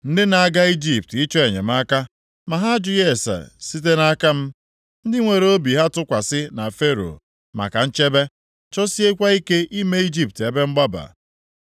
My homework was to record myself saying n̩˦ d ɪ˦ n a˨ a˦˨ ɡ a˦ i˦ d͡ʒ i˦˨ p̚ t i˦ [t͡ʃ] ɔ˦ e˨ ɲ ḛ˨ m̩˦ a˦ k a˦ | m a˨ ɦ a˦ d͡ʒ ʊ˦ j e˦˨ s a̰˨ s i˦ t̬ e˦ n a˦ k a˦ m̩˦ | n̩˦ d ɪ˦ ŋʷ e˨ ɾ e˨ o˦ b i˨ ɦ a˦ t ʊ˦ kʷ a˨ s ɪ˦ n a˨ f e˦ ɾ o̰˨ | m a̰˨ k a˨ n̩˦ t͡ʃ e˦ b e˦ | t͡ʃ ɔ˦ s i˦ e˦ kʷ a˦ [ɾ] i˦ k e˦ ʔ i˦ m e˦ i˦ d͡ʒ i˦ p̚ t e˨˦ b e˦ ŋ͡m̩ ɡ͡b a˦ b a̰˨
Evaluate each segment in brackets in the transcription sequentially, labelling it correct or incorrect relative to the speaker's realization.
correct, incorrect

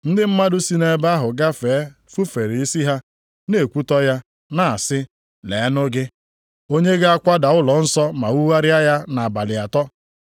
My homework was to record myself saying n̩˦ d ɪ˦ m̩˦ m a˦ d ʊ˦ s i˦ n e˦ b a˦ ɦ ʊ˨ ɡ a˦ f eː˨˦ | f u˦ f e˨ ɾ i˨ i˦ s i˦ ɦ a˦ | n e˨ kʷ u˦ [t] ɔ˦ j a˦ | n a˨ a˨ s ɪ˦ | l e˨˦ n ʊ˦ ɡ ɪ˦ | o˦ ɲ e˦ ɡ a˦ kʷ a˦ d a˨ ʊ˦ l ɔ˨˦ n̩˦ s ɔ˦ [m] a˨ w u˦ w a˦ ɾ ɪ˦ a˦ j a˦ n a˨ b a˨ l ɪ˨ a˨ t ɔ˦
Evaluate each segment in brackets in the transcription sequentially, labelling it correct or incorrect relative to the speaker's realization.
correct, correct

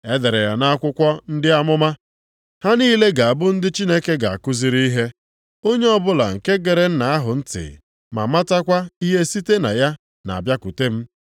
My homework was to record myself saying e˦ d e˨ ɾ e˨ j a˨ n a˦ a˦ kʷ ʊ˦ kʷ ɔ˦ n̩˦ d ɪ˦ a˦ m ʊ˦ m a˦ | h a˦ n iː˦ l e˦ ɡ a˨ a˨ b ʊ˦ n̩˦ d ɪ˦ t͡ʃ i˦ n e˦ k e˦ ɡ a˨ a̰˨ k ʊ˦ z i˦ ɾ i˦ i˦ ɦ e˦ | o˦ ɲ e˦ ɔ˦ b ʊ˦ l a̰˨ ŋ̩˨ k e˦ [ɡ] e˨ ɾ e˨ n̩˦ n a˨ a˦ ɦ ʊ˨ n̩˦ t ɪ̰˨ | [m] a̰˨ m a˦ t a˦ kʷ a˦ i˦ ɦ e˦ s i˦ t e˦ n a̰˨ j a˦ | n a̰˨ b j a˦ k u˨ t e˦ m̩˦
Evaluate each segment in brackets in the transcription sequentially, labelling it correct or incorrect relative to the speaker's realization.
correct, correct

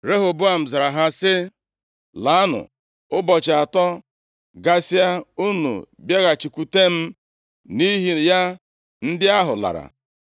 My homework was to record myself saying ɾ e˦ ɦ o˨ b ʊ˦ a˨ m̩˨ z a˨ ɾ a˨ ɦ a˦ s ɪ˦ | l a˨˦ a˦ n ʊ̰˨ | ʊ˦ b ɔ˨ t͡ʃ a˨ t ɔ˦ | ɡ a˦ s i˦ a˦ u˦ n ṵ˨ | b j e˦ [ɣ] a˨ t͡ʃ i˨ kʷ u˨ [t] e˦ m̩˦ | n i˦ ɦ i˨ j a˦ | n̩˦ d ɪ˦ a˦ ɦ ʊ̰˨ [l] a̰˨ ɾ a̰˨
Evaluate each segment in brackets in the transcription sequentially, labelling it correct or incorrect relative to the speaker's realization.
correct, correct, correct

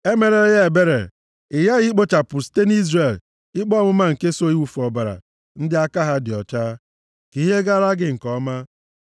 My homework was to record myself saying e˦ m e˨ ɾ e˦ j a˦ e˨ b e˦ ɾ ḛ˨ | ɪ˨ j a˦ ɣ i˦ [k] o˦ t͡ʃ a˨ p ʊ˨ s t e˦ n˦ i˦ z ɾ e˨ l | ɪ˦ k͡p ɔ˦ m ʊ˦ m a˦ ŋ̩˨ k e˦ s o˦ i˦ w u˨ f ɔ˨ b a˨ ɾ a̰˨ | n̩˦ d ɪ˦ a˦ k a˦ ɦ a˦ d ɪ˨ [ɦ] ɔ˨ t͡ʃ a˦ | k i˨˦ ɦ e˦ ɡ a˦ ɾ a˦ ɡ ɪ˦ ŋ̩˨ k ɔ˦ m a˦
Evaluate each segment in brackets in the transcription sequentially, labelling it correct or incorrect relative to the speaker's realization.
incorrect, incorrect

